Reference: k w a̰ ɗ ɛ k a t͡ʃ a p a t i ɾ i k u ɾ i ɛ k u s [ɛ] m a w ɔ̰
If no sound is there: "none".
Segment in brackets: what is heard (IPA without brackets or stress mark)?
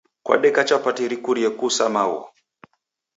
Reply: a